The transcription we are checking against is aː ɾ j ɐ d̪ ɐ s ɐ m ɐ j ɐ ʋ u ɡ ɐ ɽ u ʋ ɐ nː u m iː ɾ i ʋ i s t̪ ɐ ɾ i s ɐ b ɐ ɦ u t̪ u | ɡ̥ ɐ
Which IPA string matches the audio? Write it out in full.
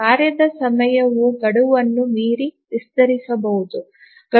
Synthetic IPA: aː ɾ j ɐ d̪ ɐ s ɐ m ɐ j ɐ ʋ u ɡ ɐ ɽ u ʋ ɐ nː u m iː ɾ i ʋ i s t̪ ɐ ɾ i s ɐ b ɐ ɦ u d̪ u | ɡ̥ ɐ